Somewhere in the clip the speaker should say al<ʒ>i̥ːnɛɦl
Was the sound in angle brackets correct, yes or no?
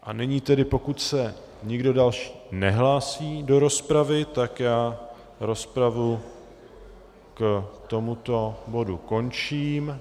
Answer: no